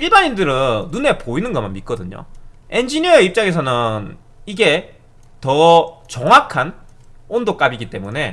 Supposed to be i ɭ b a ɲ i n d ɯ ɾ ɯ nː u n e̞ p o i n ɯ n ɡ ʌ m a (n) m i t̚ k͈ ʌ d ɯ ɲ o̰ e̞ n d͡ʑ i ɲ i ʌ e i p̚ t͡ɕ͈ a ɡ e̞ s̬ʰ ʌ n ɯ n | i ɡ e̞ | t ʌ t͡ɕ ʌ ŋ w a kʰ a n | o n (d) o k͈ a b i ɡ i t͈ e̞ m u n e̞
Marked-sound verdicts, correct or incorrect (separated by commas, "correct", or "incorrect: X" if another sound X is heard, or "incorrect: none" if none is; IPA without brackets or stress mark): correct, correct